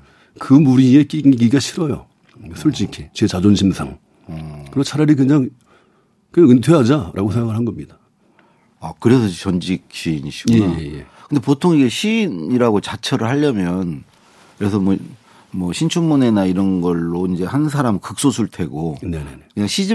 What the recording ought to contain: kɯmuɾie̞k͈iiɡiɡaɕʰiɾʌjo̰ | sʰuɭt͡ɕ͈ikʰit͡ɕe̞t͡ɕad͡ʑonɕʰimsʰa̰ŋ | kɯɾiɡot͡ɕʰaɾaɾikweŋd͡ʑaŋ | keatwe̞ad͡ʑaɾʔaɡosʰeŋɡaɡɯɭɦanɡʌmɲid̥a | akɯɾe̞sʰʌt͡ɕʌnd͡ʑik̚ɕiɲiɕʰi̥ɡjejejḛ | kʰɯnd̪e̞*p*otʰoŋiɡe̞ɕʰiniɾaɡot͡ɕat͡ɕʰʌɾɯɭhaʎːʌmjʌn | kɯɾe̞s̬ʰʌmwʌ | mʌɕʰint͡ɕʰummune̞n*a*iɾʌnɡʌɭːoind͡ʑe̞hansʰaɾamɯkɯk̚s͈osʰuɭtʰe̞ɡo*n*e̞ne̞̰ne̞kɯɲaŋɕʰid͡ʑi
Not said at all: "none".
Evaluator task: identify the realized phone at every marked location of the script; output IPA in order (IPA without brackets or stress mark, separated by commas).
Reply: p, a, n